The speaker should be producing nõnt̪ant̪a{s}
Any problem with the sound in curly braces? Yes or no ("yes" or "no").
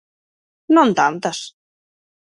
no